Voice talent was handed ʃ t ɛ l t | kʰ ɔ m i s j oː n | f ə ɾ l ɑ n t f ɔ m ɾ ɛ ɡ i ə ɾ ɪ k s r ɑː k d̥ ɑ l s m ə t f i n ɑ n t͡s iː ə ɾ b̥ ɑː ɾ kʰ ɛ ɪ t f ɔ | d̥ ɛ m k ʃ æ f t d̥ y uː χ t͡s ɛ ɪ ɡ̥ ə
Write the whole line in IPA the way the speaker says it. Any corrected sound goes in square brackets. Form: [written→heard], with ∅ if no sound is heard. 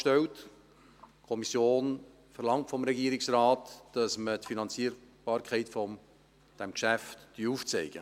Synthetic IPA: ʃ t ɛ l t | kʰ ɔ m i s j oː n | f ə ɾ l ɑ [n→ŋ] t f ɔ m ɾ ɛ ɡ i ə ɾ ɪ k s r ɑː [k→t] d̥ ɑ [l→∅] s m ə t f i n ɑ n t͡s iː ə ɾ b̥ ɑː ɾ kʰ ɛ ɪ t f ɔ | d̥ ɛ m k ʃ æ f t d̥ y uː [χ→f] t͡s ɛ ɪ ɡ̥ ə

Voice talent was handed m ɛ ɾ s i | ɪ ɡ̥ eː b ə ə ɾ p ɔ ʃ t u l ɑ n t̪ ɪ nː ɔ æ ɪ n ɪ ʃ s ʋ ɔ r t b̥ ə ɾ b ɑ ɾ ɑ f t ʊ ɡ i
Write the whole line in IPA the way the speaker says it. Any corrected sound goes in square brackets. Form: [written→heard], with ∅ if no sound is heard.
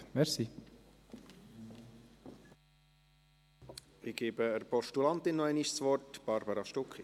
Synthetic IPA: m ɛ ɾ s i | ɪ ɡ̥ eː b ə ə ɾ p ɔ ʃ t u l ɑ n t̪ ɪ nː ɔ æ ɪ n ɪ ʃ s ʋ ɔ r t b̥ [ə→ɑ] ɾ b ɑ ɾ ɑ [f→ʃ] t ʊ [ɡ→k] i

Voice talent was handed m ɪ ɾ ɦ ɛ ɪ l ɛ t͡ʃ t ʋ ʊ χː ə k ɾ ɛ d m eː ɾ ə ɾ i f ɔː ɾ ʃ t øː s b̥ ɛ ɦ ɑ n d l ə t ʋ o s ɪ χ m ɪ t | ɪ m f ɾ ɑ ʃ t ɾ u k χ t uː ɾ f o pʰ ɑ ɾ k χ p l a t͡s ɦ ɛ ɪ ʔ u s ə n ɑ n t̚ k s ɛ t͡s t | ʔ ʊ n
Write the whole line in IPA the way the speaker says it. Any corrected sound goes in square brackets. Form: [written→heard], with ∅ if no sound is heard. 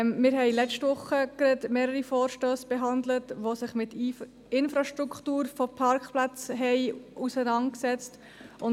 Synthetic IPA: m ɪ ɾ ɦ ɛ ɪ l ɛ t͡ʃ t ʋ ʊ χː ə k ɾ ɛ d m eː ɾ ə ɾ i f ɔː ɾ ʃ t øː s b̥ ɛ ɦ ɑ n d l ə t ʋ o s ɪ χ m ɪ t | ɪ [m→n] f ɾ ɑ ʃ t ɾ u k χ t uː ɾ f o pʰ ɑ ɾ k χ p l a t͡s ɦ ɛ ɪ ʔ u s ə n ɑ n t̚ k s ɛ t͡s t | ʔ ʊ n

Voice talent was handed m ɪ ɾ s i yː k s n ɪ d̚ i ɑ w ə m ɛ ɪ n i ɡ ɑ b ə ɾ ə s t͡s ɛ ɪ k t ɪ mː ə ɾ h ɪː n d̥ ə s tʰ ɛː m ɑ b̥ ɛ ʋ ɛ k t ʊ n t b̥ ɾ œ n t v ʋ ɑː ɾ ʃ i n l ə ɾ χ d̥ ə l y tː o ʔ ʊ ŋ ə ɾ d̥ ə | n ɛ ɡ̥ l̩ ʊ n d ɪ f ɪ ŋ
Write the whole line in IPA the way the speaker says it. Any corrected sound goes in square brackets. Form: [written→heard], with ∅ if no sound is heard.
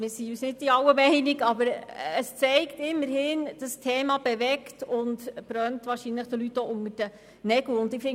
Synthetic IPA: m ɪ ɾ s i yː [k→∅] s n ɪ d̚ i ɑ w ə m ɛ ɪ n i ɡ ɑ b ə ɾ ə s t͡s ɛ ɪ k t ɪ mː ə ɾ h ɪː n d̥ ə s tʰ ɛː m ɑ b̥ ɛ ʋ ɛ k t ʊ n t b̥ ɾ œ n t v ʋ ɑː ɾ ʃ i n l ə [ɾ→∅] χ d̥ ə l y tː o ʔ ʊ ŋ ə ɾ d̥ ə | n ɛ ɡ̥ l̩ ʊ n d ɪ f ɪ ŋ

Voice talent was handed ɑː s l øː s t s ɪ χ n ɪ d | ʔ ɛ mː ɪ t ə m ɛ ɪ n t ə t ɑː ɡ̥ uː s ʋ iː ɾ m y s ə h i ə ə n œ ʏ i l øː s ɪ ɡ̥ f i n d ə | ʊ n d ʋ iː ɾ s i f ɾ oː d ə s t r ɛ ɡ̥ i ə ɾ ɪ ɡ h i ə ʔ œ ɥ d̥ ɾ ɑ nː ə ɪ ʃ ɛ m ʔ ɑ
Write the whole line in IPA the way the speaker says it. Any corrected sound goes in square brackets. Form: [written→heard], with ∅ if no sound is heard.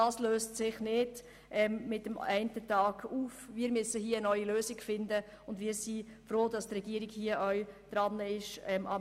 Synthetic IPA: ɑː s l øː s t s ɪ χ n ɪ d | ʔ ɛ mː ɪ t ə m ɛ ɪ n t ə t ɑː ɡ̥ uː [s→f] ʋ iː ɾ m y s ə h i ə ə n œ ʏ i l øː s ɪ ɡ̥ f [i→ɪ] n d ə | ʊ n d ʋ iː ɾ s i f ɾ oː d [ə→ɑ] s t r ɛ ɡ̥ i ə ɾ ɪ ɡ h i ə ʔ œ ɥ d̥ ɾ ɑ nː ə ɪ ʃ ɛ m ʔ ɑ

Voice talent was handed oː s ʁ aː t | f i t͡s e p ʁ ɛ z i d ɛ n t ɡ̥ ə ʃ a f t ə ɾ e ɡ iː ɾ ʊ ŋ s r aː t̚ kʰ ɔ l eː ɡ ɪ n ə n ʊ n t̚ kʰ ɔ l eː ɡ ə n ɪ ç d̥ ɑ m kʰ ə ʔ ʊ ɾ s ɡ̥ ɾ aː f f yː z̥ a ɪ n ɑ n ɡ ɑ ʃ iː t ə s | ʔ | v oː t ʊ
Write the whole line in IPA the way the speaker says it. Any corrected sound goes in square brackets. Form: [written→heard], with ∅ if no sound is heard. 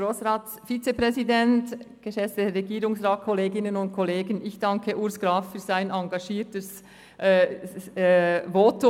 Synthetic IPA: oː s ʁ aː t | f i t͡s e p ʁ ɛ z i d ɛ n t ɡ̥ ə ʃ [a→ɛ] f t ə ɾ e ɡ iː ɾ ʊ ŋ s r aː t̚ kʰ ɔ l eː ɡ ɪ n ə n ʊ n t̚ kʰ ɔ l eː ɡ ə n ɪ ç d̥ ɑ [m→ŋ] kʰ ə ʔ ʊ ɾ s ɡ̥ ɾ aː f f yː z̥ a ɪ n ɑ [n→ŋ] ɡ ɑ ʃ iː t ə s | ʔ | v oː t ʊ

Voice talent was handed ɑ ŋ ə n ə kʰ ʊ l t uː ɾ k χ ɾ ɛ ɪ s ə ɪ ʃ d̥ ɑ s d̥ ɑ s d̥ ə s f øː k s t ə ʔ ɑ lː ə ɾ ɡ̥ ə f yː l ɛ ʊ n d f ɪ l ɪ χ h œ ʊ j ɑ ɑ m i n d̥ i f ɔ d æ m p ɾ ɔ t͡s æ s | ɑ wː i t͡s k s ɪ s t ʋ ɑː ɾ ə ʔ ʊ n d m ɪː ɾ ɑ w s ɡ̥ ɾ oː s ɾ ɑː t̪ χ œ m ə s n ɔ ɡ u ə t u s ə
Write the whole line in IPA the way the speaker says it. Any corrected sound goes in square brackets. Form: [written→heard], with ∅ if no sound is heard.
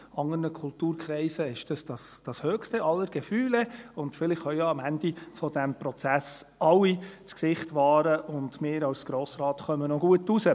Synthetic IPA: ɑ ŋ ə n ə kʰ ʊ l t uː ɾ k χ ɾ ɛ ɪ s ə ɪ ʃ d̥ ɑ s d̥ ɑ s d̥ [ə→ɑ] s [f→h] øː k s t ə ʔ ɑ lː ə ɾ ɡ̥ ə f yː l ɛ ʊ n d f ɪ l ɪ χ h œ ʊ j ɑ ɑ m [i→æ] n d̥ i f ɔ d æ m p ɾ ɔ t͡s æ s | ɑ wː i t͡s k s ɪ [s→χ] t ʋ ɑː ɾ ə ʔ ʊ n d m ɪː ɾ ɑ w s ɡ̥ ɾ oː s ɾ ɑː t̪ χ œ m ə [s→∅] n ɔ ɡ u ə t u s ə

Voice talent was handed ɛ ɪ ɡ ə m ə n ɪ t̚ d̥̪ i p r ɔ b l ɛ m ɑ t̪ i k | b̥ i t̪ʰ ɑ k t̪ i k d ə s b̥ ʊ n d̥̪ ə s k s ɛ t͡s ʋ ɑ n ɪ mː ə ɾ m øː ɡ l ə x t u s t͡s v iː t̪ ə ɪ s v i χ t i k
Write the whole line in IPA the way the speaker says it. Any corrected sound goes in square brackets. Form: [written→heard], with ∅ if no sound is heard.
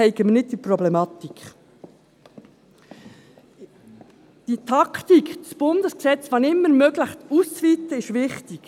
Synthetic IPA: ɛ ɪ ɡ ə m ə n ɪ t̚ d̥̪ i p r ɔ b l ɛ m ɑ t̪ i k | [b̥→d̥] i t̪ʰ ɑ k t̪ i k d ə s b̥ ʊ n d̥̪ ə s k s ɛ t͡s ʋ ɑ n ɪ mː ə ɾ m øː ɡ l ə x t u s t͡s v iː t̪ ə ɪ [s→ʃ] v [i→ɪ] χ t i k

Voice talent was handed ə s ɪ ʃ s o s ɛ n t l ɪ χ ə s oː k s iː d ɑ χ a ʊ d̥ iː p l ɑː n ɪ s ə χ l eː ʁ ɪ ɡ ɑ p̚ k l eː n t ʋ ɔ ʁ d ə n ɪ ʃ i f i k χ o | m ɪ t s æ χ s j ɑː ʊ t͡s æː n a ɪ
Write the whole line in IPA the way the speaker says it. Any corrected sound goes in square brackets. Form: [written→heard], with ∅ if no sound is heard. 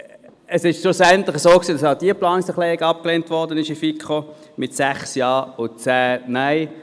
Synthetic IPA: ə s ɪ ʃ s o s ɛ n t l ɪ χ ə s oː k s iː d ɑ [χ→s] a ʊ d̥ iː p l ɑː n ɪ s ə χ l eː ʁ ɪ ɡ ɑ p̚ k l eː n t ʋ ɔ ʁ d ə n ɪ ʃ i f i k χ o | m ɪ t s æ χ s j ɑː ʊ t͡s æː n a ɪ

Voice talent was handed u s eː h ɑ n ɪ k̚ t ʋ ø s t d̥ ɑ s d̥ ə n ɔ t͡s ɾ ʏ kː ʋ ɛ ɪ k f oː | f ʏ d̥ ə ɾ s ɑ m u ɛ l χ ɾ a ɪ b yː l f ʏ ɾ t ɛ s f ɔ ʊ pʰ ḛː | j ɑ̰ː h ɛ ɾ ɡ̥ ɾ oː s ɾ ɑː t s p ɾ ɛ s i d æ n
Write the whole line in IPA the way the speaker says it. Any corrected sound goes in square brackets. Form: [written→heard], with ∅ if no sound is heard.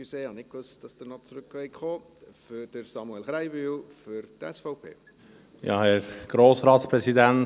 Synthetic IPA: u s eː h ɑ n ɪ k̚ [t→k] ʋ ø s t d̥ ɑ s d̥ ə n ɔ t͡s ɾ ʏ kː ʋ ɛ ɪ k [f→χ] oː | f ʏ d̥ ə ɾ s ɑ m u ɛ l χ ɾ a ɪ b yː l f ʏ ɾ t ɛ s f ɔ ʊ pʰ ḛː | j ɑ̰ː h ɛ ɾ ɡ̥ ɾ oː s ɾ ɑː t s p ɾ ɛ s i d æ n

